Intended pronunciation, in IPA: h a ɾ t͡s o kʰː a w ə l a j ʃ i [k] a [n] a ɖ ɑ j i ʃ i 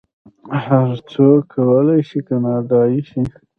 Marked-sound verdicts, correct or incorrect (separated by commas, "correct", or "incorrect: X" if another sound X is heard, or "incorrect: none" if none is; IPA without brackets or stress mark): correct, correct